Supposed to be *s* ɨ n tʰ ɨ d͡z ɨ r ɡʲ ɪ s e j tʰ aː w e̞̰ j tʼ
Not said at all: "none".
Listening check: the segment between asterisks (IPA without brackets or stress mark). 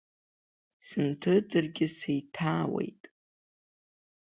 s